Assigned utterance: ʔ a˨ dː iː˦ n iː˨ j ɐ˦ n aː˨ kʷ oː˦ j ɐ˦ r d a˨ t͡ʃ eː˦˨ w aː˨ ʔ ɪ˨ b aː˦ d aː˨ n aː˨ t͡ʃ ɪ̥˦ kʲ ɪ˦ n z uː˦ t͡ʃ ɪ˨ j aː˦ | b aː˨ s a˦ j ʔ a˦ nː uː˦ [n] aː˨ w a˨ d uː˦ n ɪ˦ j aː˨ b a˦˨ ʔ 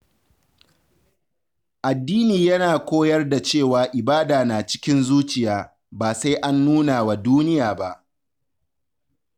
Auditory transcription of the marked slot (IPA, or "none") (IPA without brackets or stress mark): n